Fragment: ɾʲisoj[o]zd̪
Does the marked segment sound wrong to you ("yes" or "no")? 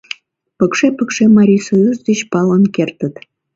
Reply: yes